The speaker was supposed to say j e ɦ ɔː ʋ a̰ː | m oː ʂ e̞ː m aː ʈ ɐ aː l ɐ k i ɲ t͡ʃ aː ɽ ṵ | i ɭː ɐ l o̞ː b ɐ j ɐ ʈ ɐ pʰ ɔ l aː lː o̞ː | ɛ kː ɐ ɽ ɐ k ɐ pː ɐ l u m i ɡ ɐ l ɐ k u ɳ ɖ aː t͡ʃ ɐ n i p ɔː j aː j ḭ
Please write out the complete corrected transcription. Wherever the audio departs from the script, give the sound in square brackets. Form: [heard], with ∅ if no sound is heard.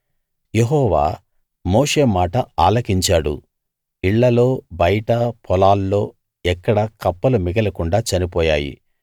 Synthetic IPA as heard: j e ɦ ɔː ʋ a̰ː | m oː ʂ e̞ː m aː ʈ ɐ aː l ɐ k i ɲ t͡ʃ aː ɽ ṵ | i ɭː ɐ l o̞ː b ɐ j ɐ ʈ ɐ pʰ ɔ l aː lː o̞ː | ɛ kː ɐ ɽ ɐ k ɐ pː ɐ l u m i ɡ ɐ l ɐ k u ɳ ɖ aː t͡ʃ ɐ n i p ɔː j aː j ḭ